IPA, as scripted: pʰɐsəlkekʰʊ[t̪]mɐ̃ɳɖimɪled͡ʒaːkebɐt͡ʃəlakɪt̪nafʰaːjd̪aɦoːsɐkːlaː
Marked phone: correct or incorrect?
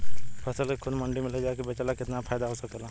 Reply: incorrect